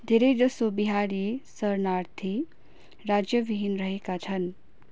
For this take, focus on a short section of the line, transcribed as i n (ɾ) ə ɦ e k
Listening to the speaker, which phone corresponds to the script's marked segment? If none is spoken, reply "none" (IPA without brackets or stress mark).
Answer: ɾ